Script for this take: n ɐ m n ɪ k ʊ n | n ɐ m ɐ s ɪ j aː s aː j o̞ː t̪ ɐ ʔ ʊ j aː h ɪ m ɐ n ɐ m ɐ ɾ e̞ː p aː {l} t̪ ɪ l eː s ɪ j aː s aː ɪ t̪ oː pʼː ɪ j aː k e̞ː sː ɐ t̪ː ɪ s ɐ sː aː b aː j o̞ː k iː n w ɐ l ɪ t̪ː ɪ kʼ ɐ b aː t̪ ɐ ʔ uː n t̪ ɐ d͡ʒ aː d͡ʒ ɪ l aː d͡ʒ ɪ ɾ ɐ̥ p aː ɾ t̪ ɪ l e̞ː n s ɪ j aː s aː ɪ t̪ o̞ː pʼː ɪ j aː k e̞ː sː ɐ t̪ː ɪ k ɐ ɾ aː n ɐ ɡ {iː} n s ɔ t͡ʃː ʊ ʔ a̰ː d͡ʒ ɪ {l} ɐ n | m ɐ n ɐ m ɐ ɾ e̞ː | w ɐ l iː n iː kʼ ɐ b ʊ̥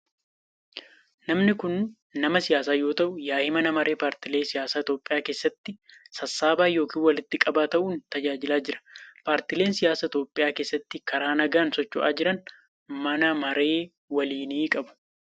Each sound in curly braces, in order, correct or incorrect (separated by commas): incorrect, incorrect, incorrect